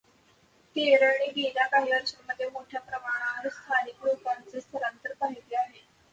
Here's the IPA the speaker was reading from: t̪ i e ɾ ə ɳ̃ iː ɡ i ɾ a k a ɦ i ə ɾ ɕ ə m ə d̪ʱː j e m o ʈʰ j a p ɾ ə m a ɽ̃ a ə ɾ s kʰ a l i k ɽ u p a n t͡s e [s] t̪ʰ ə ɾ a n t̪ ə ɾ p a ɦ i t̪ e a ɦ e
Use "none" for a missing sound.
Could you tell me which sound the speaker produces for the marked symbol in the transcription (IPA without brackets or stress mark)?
s